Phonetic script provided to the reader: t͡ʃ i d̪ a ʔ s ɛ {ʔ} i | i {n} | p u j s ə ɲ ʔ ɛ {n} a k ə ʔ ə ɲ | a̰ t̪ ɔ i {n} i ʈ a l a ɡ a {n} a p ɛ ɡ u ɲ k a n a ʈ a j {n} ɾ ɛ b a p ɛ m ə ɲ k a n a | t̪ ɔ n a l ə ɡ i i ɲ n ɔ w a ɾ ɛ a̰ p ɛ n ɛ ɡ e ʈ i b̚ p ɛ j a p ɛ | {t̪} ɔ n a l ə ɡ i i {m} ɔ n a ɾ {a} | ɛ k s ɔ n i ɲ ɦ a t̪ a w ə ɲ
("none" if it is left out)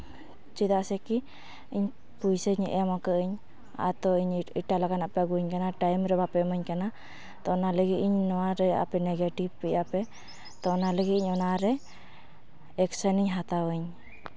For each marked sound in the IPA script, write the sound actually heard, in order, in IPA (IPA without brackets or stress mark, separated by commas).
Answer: k, ɲ, m, ɲ, n, m, t̪, ɲ, ɛ